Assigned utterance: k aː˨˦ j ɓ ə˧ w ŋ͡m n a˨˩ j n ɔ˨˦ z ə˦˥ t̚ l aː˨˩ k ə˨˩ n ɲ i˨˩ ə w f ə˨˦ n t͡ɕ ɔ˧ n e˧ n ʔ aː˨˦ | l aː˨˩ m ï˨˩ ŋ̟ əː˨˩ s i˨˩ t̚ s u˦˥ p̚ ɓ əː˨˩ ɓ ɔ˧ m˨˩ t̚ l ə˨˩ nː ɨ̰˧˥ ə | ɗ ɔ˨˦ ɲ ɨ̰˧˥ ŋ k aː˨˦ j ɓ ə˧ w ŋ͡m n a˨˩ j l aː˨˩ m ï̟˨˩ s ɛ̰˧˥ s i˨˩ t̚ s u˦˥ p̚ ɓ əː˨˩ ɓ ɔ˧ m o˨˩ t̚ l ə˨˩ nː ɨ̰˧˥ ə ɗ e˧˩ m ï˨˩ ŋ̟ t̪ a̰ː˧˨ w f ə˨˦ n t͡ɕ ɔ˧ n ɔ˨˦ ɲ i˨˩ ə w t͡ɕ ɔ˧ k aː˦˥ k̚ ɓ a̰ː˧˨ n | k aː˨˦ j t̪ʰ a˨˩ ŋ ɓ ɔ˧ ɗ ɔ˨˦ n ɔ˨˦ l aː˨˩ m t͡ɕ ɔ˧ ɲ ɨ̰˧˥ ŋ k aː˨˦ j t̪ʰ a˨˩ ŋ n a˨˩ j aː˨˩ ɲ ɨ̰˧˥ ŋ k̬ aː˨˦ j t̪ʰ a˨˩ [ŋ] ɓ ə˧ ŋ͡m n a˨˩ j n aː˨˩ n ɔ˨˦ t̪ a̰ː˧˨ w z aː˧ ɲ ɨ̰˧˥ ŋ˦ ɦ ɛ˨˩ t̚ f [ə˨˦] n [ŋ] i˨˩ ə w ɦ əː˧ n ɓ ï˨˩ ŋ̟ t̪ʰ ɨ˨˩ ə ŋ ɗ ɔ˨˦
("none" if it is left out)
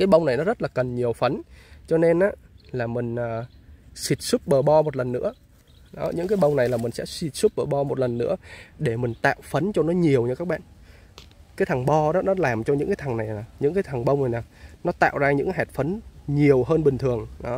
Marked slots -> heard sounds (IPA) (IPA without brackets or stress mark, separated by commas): ŋ, ə˨˦, ɲ